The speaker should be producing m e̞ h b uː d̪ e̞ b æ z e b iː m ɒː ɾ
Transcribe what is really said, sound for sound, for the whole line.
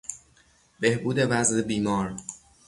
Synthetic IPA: b e̞ h b uː d̪ e̞ v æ z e b iː m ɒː ɾ